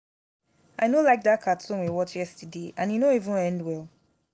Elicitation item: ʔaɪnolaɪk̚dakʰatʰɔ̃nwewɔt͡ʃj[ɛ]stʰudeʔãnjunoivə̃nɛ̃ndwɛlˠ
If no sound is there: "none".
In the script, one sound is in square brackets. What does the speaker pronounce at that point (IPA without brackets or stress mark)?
ɛ